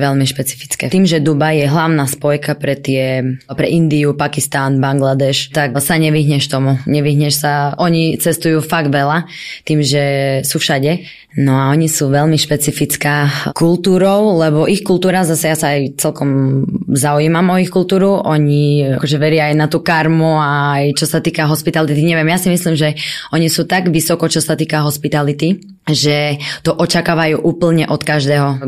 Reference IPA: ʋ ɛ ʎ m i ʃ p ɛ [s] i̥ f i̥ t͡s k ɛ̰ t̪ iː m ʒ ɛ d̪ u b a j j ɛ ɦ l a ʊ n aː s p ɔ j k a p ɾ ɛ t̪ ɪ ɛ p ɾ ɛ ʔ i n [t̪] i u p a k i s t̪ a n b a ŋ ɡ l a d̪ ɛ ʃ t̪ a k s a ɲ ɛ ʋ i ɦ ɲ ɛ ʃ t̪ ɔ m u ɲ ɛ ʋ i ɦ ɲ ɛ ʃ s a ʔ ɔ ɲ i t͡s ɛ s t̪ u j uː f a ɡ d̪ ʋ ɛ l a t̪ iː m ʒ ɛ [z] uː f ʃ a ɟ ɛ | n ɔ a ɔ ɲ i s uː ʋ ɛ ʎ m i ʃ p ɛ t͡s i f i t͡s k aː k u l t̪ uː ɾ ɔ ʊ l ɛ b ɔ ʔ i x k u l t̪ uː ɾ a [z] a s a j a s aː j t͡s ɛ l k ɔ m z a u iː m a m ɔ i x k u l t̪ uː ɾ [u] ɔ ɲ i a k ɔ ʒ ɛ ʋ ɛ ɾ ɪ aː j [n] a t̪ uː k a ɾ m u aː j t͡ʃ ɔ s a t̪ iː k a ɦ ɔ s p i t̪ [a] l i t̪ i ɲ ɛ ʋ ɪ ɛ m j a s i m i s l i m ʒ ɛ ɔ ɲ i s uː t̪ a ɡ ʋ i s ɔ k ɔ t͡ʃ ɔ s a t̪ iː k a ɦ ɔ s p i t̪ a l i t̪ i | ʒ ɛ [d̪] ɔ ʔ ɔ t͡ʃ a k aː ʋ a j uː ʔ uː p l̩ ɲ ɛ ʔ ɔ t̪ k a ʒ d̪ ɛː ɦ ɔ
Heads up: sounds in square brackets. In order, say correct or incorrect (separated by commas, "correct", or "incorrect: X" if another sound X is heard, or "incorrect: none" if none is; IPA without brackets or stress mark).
incorrect: t͡s, incorrect: d̪, incorrect: s, correct, correct, correct, correct, incorrect: t̪